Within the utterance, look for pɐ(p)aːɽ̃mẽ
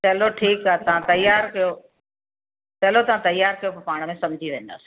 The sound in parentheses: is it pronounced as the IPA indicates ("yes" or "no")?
yes